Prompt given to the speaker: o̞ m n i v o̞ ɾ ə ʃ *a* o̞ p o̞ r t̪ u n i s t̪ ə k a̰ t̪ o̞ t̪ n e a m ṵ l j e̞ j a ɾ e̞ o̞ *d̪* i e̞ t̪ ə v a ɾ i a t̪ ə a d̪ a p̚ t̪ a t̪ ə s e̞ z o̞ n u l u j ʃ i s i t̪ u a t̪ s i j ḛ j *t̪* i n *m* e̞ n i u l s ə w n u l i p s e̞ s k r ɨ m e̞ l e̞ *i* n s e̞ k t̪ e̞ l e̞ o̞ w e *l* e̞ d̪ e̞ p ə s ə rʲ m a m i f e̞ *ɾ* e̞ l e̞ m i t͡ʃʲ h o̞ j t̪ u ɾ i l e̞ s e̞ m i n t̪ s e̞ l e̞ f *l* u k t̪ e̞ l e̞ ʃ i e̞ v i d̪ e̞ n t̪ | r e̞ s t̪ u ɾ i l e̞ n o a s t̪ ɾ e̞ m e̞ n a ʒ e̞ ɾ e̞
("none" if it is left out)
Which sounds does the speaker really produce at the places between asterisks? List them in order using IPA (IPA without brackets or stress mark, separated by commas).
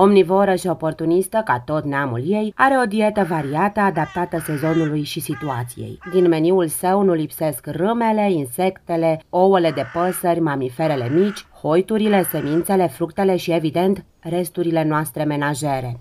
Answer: i, d̪, d̪, m, i, l, ɾ, ɾ